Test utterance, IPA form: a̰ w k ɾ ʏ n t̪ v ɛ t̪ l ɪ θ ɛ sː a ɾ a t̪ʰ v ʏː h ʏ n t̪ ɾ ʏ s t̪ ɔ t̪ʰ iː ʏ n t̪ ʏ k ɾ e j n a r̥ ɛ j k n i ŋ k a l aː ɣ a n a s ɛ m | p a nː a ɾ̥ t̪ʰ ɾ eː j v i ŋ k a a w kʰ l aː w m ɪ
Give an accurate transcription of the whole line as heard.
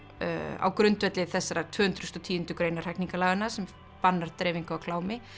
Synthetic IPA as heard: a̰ w k ɾ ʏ n t̪ v ɛ t̪ l ɪ θ ɛ sː a ɾ a t̪ʰ v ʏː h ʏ n t̪ ɾ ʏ s t̪ ɔ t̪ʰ iː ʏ n t̪ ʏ k ɾ e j n a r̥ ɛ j k n i ŋ k a l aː ɣ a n a s ɛ m | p a nː a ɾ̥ t̪ ɾ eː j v i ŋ k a a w kʰ l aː w m ɪ